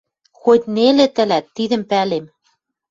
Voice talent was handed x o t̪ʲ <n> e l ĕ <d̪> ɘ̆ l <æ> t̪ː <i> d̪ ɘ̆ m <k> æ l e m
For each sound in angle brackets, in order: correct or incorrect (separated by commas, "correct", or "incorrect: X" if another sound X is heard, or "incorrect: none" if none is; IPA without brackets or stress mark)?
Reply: correct, incorrect: t̪, correct, correct, incorrect: p